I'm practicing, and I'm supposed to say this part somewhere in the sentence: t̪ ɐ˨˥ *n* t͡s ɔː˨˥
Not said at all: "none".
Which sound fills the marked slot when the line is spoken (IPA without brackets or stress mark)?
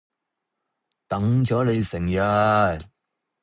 ŋ